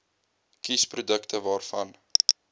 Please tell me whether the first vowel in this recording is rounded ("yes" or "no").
no